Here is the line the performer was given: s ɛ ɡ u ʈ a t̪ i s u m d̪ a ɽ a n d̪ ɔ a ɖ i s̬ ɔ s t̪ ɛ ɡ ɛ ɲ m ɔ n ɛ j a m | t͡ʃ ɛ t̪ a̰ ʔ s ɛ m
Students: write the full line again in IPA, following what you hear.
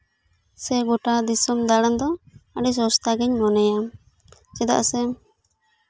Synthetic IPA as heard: s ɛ ɡ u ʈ a d̪ i s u m d̪ a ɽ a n d̪ ɔ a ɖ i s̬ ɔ s t̪ a ɡ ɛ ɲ m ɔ n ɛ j a m | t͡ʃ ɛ d̪ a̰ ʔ s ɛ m